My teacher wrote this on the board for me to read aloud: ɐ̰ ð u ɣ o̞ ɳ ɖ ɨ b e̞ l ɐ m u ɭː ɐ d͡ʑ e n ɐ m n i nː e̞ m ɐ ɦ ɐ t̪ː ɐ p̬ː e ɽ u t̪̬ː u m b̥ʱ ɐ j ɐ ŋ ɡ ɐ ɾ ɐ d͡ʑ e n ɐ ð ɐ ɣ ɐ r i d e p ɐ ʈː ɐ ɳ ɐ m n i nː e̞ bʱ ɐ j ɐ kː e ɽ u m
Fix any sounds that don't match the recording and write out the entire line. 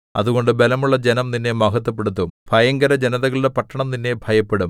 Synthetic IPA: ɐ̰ ð u ɣ o̞ ɳ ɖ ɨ b e̞ l ɐ m u ɭː ɐ d͡ʑ e n ɐ m n i nː e̞ m ɐ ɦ ɐ t̪ː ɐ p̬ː e ɽ u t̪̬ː u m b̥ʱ ɐ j ɐ ŋ ɡ ɐ ɾ ɐ d͡ʑ e n ɐ ð ɐ ɣ ɐ ɭ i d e p ɐ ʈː ɐ ɳ ɐ m n i nː e̞ bʱ ɐ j ɐ pː e ɽ u m